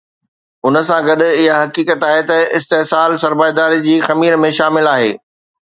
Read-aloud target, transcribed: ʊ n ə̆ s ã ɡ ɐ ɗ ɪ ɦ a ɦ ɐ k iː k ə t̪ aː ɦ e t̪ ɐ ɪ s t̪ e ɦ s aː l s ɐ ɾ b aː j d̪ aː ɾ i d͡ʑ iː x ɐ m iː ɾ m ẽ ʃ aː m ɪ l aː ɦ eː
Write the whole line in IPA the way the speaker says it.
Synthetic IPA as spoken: ʊ n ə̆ s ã ɡ ɐ ɗ ɪ ɦ a ɦ ɐ k iː k ə t̪ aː ɦ e t̪ ɐ ɪ s t̪ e ɦ s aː l s ɐ ɾ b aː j d̪ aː ɾ i d͡ʑ iː x ɐ m iː ɾ m ẽ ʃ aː m ɪ l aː ɦ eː